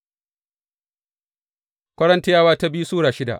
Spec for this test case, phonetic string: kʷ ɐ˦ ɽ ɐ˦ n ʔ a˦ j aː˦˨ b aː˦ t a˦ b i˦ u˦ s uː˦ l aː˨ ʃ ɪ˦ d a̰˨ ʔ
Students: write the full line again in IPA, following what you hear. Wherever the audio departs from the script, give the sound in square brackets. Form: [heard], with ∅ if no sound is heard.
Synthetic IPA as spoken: kʷ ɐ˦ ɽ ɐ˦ n [t] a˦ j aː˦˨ [w] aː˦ t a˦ b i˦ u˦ s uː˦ [ɽ] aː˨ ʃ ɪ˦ d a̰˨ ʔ